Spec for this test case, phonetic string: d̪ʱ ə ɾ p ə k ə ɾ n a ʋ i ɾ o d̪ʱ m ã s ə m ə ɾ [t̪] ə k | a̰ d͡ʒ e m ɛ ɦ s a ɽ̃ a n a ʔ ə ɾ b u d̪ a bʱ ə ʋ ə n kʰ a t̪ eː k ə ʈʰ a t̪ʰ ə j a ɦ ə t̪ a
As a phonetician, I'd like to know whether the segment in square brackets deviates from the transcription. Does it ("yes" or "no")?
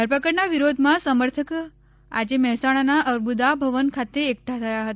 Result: yes